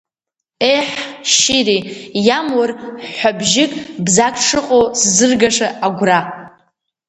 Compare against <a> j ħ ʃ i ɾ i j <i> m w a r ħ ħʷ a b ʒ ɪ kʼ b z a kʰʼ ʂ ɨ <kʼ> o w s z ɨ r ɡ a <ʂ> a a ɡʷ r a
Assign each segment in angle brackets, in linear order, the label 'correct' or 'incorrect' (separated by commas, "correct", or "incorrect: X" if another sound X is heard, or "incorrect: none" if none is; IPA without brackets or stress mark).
incorrect: e, incorrect: a, incorrect: qʼ, correct